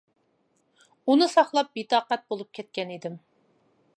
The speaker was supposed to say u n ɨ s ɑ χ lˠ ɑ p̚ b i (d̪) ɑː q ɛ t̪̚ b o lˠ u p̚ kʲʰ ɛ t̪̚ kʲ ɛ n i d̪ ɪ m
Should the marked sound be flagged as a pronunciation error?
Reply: yes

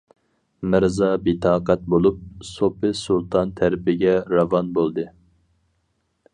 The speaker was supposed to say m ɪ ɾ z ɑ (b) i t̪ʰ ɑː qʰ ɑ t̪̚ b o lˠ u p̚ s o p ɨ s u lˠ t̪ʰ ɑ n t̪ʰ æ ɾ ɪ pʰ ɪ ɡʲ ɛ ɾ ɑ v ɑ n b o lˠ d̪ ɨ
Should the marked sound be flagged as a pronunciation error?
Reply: no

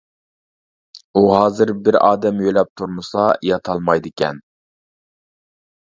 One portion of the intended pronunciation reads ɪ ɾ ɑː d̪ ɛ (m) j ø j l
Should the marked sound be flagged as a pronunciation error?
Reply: no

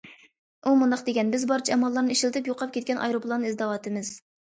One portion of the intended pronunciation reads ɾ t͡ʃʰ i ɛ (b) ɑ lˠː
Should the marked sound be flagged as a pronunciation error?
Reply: yes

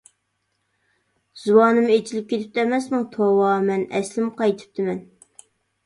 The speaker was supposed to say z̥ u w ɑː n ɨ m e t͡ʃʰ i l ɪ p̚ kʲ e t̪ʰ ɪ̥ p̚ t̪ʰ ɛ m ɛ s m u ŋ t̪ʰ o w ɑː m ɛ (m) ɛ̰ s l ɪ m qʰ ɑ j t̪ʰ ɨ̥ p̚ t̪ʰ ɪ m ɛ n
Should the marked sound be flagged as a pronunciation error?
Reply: yes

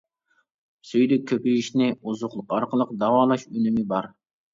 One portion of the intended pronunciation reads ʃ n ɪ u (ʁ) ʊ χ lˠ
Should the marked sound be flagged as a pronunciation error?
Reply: yes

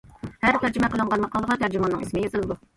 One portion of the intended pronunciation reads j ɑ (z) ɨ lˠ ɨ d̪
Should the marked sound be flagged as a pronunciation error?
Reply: no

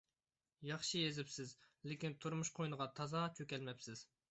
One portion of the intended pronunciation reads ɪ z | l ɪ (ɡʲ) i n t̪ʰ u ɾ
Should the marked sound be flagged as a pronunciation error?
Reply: yes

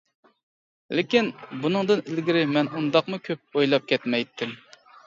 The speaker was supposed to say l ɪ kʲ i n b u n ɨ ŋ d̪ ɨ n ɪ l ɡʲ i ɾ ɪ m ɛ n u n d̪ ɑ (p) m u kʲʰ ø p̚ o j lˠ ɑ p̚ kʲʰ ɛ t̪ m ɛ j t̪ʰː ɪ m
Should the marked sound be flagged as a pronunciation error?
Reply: yes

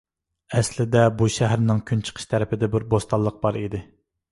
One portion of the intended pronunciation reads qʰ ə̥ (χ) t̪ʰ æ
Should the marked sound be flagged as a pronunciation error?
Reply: yes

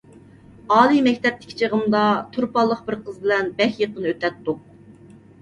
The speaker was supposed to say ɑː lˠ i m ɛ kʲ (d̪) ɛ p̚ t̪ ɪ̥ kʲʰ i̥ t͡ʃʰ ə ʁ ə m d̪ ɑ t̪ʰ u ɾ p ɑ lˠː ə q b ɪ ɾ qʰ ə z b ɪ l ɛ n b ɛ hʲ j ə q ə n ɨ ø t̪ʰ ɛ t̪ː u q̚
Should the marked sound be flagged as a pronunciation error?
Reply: yes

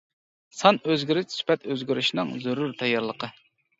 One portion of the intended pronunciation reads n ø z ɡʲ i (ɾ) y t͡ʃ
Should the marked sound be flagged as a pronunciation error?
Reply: no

